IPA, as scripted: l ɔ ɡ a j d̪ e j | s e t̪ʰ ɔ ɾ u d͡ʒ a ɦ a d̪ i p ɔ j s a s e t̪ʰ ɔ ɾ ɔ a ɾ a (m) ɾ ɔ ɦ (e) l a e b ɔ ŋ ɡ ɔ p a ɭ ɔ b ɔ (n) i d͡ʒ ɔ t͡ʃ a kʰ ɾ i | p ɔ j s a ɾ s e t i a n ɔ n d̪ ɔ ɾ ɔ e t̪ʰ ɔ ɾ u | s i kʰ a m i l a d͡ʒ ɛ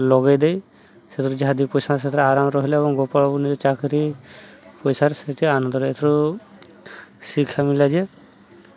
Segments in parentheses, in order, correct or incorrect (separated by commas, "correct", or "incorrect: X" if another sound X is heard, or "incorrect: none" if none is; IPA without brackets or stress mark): correct, incorrect: i, correct